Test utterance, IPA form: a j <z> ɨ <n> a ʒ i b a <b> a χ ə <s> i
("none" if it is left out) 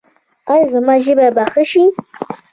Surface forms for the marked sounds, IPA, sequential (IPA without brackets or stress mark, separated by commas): z, m, b, ʃ